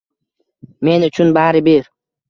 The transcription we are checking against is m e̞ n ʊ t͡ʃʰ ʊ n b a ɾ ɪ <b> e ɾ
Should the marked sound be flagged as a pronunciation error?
no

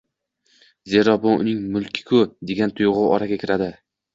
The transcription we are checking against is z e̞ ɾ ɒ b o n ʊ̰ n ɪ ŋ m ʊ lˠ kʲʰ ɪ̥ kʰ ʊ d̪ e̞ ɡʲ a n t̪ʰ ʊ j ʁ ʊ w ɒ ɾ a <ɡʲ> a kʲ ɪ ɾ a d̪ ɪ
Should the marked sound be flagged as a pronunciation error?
no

